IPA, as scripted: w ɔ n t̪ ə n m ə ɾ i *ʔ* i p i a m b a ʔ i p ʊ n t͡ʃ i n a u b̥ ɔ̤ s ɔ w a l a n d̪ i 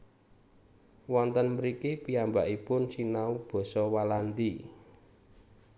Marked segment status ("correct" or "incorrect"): incorrect